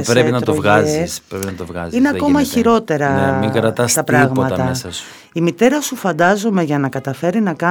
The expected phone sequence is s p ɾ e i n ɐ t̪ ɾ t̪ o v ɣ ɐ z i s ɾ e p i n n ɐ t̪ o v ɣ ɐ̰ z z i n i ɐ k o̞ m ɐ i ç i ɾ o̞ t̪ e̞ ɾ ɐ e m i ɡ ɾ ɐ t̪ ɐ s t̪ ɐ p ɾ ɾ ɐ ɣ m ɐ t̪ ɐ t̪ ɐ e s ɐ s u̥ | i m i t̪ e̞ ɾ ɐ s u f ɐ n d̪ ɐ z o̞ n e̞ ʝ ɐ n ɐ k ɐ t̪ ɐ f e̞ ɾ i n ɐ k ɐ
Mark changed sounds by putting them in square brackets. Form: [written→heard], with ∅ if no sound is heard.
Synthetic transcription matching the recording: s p ɾ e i n ɐ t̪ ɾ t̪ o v ɣ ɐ z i s ɾ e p i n n ɐ t̪ o v ɣ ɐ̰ z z i n [i→e] ɐ k o̞ m ɐ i ç i ɾ o̞ t̪ e̞ ɾ ɐ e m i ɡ ɾ ɐ t̪ ɐ s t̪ ɐ p ɾ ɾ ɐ ɣ m ɐ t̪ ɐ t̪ ɐ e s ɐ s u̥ | i m i t̪ e̞ ɾ ɐ s u f ɐ n d̪ ɐ z o̞ [n→m] e̞ ʝ ɐ n ɐ k ɐ t̪ ɐ f e̞ ɾ i n ɐ k ɐ